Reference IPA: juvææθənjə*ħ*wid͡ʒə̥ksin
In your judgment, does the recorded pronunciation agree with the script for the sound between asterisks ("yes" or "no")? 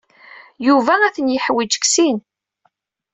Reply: yes